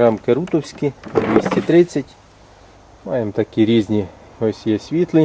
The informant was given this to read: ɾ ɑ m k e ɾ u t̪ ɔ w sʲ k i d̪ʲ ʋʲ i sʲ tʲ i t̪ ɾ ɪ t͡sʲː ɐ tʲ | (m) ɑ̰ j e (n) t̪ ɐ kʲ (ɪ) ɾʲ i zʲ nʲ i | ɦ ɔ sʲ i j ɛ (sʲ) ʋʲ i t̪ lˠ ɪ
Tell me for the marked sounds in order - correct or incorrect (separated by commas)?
correct, incorrect, incorrect, correct